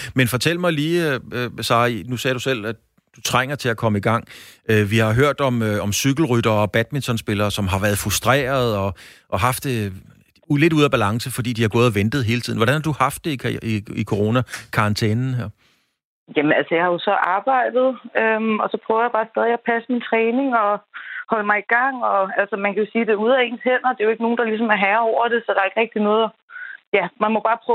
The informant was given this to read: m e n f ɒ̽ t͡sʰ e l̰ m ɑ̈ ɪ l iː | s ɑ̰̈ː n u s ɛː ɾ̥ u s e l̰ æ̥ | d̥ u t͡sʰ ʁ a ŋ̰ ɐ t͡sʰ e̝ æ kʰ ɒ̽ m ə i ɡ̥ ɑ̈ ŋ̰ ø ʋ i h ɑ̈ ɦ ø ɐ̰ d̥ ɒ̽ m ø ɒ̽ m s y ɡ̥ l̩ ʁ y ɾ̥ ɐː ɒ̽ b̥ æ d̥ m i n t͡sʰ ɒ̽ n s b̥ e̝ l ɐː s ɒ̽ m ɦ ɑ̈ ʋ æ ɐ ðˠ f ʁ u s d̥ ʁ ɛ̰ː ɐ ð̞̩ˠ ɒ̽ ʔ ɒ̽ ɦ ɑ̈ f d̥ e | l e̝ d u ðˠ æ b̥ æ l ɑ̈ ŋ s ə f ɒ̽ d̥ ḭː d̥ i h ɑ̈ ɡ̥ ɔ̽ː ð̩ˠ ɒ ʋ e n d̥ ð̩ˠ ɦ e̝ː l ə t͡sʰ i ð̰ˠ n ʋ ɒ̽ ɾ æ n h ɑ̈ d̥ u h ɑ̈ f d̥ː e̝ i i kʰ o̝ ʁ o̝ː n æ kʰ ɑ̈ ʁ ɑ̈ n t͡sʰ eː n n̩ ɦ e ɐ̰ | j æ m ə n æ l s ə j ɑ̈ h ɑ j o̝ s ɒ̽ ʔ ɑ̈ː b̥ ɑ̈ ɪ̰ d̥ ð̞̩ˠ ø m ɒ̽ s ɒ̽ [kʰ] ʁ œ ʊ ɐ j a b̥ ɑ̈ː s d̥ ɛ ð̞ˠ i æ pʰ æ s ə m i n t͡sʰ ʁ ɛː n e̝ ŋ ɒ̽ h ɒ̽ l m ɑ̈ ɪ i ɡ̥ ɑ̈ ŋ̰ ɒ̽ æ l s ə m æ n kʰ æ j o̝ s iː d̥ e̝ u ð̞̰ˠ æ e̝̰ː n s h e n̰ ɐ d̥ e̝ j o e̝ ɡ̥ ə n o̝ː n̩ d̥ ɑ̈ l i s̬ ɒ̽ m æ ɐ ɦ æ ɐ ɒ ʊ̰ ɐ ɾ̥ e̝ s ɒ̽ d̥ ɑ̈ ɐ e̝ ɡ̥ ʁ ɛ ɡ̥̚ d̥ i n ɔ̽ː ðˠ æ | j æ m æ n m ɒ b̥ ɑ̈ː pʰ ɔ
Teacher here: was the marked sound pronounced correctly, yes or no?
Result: no